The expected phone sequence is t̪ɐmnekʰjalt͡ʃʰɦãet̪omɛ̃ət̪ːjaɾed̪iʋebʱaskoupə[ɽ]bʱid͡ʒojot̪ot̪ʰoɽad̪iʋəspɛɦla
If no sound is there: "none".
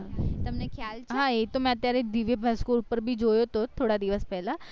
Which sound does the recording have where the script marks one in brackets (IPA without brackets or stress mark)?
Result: ɾ